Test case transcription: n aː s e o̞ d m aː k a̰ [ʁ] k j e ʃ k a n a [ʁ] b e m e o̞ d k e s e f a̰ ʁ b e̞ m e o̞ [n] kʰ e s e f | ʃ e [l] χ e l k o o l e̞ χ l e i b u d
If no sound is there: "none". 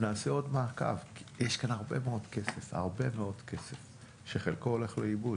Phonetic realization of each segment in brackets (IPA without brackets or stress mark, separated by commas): v, ʁ, d, none